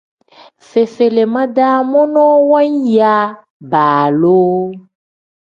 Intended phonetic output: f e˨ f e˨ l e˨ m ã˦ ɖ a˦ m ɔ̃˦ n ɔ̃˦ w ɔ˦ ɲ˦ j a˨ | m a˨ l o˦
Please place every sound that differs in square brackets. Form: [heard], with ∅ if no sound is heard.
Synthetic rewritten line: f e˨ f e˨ l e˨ m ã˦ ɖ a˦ m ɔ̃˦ n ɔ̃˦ w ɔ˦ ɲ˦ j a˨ | [b] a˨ l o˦